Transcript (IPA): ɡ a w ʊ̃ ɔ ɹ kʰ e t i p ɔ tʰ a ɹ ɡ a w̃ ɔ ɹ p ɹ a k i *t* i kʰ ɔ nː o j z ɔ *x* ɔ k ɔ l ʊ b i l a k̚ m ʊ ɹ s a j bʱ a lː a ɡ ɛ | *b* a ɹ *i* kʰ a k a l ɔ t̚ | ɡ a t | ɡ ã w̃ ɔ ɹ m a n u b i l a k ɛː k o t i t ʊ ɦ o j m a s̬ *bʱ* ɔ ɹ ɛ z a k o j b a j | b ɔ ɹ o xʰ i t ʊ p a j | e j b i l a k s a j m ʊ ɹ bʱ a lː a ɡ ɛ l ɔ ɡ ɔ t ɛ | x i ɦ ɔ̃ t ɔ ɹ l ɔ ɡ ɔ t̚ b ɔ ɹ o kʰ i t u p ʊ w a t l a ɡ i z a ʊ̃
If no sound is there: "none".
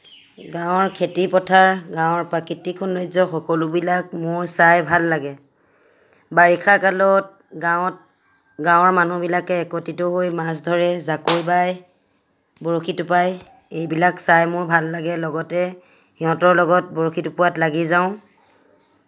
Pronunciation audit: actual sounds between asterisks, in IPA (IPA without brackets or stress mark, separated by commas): t, x, b, i, dʱ